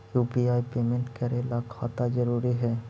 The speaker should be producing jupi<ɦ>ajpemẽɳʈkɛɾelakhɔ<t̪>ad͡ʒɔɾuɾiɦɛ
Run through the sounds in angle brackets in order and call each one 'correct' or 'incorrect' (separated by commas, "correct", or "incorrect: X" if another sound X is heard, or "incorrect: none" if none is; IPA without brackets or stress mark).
incorrect: none, correct